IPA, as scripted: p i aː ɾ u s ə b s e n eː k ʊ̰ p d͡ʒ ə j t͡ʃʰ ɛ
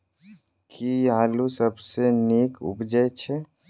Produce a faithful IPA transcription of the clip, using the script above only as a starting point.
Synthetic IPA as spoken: k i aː l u s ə b s e n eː k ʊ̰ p d͡ʒ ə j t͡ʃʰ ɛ